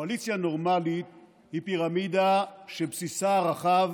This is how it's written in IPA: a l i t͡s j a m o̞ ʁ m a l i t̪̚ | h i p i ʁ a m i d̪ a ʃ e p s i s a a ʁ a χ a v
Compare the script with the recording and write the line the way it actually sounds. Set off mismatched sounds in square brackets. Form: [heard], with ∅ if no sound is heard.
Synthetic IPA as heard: a l i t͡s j a [n] o̞ ʁ m a l i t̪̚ | h i p i ʁ a m i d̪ a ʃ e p s i s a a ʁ a χ a v